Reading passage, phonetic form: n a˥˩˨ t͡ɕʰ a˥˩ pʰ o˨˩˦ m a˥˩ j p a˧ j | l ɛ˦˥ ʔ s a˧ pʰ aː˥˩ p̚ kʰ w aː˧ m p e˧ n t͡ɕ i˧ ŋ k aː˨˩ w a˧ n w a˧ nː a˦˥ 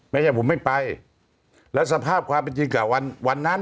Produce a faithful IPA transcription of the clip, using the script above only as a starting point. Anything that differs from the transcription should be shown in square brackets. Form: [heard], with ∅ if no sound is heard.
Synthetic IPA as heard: [m] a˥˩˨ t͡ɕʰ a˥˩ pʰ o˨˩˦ m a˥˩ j p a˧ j | l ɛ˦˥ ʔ s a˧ pʰ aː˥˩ p̚ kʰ w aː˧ m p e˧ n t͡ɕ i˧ ŋ k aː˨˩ w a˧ n w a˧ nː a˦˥